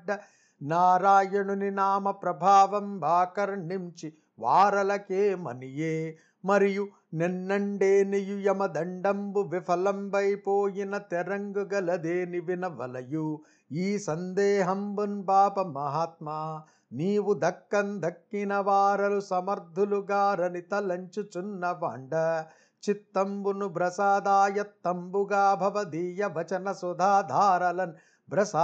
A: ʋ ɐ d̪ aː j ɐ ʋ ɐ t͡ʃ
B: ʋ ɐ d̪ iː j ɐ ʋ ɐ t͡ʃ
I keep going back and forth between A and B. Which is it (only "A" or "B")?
B